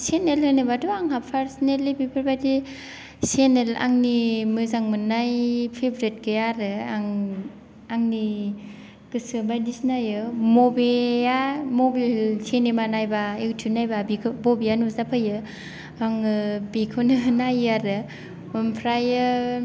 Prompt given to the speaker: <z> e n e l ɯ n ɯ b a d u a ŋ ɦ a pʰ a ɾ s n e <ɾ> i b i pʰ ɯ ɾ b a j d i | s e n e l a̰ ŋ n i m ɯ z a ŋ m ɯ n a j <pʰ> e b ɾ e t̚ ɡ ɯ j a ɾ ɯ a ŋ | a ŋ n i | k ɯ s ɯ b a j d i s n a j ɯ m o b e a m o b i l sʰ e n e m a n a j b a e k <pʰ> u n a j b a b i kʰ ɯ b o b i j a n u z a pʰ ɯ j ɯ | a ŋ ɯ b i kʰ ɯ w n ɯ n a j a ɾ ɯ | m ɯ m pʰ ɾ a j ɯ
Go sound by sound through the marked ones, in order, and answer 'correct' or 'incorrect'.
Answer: incorrect: s, incorrect: l, correct, incorrect: tʰ

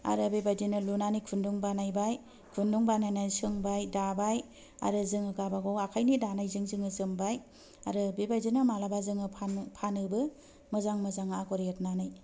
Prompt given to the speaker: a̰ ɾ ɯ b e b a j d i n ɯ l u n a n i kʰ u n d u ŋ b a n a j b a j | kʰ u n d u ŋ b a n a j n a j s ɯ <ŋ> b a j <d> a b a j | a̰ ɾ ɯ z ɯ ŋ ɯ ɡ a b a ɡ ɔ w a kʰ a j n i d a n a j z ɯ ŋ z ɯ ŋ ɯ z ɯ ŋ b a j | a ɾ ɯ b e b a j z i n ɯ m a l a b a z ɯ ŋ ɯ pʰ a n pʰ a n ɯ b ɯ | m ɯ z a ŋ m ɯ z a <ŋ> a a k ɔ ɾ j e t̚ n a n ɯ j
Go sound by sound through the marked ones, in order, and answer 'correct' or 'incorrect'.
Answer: correct, correct, correct

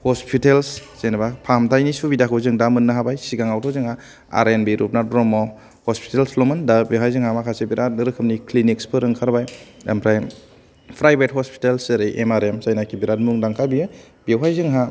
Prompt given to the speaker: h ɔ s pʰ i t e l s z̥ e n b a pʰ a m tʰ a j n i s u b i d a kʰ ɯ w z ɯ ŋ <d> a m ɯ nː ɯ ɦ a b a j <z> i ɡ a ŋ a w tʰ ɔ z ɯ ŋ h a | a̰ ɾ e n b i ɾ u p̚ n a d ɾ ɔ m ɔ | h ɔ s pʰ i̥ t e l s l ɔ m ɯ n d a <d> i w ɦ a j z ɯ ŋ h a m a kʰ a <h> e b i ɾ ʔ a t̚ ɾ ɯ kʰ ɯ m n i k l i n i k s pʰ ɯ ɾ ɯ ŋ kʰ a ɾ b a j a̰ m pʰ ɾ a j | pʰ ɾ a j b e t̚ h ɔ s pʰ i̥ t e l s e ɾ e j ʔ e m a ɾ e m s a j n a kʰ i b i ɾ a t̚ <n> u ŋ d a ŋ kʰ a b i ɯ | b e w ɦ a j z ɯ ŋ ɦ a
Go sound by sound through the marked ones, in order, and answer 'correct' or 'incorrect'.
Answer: correct, incorrect: s, incorrect: b, incorrect: s, incorrect: m

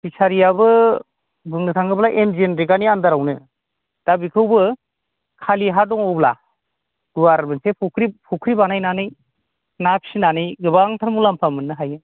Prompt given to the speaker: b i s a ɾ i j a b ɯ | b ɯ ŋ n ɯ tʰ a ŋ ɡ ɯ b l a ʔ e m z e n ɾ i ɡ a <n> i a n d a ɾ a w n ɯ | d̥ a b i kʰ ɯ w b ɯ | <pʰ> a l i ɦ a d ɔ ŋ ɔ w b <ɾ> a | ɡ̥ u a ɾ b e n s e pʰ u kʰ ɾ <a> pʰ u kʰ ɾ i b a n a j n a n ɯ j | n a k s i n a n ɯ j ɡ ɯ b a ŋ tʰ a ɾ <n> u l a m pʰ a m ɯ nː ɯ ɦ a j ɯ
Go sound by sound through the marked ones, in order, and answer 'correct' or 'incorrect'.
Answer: correct, incorrect: kʰ, incorrect: l, incorrect: i, incorrect: m

